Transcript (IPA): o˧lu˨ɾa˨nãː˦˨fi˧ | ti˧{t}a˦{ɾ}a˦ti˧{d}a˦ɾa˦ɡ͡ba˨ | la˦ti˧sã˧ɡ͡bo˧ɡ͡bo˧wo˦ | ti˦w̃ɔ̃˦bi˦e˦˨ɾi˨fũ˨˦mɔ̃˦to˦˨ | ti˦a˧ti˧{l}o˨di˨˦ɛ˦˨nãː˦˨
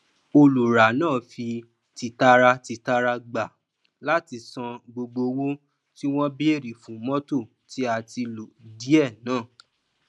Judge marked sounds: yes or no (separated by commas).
yes, yes, no, yes